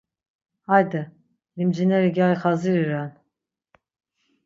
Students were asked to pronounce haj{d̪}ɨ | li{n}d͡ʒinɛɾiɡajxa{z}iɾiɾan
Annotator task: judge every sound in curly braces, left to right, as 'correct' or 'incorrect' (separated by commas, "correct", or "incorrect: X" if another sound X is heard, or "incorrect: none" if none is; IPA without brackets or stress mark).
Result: correct, incorrect: m, correct